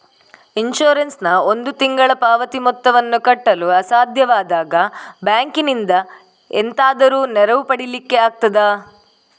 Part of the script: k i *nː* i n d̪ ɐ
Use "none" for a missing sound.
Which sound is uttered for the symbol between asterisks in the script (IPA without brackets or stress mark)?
n